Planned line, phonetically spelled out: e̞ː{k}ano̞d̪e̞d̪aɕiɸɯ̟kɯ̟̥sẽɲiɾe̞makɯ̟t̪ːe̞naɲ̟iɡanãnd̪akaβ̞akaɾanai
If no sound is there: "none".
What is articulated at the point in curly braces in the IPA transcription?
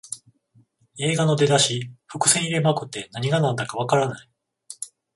ɡ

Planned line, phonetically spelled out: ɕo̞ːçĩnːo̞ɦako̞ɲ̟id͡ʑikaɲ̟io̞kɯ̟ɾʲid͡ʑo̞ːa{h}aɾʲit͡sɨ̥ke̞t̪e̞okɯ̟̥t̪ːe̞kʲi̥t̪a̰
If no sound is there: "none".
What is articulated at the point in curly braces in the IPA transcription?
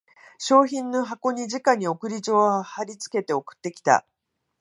h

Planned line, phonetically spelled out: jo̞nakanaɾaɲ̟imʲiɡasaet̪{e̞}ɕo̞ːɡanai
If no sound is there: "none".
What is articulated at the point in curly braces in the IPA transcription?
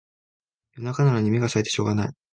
e̞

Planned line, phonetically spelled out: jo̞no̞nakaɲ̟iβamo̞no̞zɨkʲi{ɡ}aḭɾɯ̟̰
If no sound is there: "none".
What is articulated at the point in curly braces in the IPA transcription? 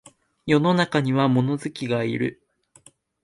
ɡ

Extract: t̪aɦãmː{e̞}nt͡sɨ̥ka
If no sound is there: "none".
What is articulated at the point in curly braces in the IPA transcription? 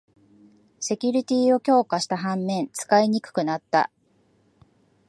ẽ̞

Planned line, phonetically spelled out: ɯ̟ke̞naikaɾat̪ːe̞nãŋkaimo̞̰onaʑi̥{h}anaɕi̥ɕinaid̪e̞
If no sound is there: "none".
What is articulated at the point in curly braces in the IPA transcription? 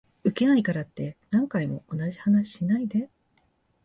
h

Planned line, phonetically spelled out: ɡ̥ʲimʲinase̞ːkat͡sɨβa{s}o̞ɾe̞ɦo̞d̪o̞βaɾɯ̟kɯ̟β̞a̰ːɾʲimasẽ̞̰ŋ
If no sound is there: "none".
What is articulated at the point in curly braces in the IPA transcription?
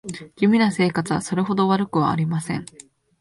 s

